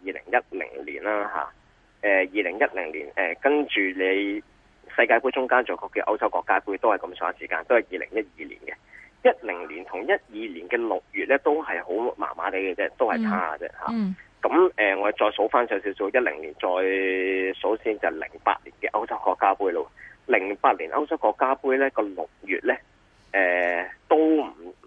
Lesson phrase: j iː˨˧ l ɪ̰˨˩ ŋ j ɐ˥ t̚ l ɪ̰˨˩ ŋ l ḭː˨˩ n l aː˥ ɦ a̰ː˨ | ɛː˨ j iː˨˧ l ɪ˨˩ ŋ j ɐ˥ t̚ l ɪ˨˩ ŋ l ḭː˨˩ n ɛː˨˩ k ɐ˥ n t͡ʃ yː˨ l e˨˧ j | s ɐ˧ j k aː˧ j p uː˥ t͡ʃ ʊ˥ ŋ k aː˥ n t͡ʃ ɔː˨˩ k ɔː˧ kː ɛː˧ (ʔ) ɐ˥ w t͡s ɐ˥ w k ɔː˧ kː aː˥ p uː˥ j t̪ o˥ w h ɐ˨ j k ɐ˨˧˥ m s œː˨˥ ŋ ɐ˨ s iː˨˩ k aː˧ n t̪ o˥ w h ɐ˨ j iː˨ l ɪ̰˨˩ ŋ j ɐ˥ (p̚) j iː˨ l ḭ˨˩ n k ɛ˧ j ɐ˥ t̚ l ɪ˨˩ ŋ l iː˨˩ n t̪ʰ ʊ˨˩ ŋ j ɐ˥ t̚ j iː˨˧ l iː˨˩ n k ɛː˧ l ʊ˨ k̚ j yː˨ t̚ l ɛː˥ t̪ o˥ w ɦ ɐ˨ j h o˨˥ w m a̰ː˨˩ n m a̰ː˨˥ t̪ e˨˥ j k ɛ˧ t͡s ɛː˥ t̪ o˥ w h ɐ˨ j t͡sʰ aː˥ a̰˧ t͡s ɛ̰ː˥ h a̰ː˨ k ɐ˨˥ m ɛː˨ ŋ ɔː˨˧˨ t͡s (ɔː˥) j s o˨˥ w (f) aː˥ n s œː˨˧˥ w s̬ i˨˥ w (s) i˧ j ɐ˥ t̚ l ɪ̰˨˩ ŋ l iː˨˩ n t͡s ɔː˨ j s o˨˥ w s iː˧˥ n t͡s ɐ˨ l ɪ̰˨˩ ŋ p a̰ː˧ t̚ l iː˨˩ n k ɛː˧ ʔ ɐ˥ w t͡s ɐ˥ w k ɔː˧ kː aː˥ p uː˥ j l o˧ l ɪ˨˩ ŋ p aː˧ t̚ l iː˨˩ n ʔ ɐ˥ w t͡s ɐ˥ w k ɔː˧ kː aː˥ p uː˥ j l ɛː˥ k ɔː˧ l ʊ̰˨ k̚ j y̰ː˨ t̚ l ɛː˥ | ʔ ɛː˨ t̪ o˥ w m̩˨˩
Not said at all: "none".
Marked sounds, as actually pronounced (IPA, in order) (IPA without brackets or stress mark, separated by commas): ʔ, t̚, ɔː˧, f, s